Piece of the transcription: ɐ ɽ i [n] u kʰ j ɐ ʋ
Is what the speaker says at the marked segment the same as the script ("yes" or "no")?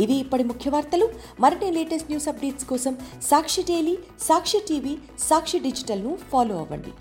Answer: no